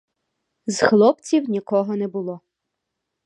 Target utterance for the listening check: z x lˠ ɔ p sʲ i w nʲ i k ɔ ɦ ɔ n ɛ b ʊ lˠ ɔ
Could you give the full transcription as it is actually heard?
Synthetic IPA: z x lˠ ɔ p t͡sʲ i w nʲ i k ɔ ɦ ɔ n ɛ b ʊ lˠ ɔ